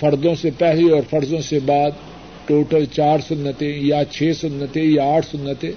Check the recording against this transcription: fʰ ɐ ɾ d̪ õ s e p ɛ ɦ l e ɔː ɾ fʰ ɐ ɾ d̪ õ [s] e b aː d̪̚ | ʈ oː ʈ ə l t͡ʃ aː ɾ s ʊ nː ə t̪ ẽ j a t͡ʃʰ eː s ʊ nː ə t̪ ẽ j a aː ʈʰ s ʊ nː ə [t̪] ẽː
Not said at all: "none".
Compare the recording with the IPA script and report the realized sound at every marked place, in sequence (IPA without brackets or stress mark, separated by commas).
s, t̪